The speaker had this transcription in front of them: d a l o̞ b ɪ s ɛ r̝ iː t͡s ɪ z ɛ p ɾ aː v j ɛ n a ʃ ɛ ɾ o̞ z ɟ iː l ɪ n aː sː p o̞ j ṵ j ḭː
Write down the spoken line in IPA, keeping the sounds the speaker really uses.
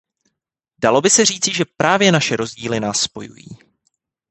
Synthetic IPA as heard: d a l o̞ b ɪ s ɛ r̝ iː t͡s ɪ ʒ ɛ p ɾ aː v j ɛ n a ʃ ɛ ɾ o̞ z ɟ iː l ɪ n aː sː p o̞ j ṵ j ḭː

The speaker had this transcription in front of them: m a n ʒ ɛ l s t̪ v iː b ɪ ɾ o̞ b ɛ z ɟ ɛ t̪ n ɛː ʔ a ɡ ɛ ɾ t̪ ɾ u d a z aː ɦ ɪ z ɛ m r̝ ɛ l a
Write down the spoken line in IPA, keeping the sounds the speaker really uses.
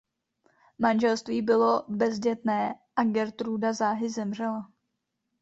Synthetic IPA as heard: m a n ʒ ɛ l s t̪ v iː b ɪ l o̞ b ɛ z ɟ ɛ t̪ n ɛː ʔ a ɡ ɛ ɾ t̪ ɾ u d a z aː ɦ ɪ z ɛ m r̝ ɛ l a

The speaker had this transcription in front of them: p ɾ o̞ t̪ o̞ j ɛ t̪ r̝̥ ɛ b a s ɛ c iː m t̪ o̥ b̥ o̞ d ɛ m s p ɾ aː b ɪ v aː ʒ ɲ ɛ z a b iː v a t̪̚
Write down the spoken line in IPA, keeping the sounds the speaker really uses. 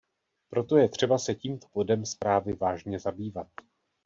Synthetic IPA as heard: p ɾ o̞ t̪ o̞ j ɛ t̪ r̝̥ ɛ b a s ɛ c iː m t̪ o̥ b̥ o̞ d ɛ m s p ɾ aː v ɪ v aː ʒ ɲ ɛ z a b iː v a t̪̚

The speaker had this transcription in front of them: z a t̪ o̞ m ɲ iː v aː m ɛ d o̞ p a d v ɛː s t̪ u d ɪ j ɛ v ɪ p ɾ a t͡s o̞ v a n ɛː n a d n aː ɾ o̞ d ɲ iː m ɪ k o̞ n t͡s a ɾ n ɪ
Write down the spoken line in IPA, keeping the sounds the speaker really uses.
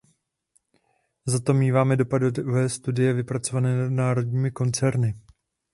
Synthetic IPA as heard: z a t̪ o̞ m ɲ iː v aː m ɛ d o̞ p a d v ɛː s t̪ u d ɪ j ɛ v ɪ p ɾ a t͡s o̞ v a n ɛː n a d n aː ɾ o̞ d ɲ iː m ɪ k o̞ n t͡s ɛ ɾ n ɪ

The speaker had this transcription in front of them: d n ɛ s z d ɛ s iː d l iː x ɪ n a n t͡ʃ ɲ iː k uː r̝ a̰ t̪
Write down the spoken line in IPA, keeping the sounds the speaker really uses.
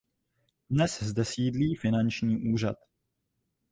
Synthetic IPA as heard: d n ɛ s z d ɛ s iː d l iː f ɪ n a n t͡ʃ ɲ iː ʔ uː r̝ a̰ t̪

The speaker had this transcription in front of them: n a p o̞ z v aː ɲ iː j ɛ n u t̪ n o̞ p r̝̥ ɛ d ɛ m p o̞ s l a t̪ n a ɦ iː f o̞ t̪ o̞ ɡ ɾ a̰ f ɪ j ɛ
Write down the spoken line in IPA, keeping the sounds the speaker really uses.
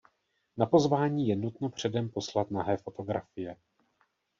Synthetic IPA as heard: n a p o̞ z v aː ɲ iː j ɛ n u t̪ n o̞ p r̝̥ ɛ d ɛ m p o̞ s l a t̪ n a ɦ ɛː f o̞ t̪ o̞ ɡ ɾ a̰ f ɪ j ɛ

